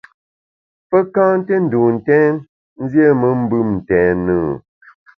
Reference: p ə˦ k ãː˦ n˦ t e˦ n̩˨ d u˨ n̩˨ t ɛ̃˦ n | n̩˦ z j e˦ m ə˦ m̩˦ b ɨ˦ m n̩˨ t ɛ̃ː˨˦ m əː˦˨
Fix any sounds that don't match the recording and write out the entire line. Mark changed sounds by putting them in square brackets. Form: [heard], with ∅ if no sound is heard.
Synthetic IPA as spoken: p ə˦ k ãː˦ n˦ t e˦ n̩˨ d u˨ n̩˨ t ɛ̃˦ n | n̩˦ z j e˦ m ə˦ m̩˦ b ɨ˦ m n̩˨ t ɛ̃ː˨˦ [n] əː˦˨